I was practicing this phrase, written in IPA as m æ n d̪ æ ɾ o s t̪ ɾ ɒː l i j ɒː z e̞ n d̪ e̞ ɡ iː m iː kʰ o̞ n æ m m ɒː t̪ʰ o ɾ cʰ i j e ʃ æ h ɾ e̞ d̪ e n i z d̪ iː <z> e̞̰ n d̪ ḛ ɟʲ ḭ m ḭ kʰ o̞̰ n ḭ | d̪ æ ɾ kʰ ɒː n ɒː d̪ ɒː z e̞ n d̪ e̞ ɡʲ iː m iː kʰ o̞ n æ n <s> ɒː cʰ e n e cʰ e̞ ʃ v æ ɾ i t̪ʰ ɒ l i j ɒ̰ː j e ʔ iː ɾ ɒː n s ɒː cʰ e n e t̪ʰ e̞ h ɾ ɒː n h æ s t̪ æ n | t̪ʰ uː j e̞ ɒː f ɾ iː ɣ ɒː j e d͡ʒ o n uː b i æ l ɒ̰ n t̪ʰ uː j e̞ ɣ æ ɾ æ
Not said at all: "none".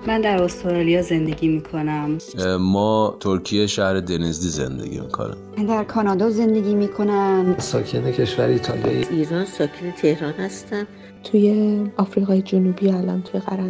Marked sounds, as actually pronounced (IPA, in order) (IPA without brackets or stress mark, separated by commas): z, s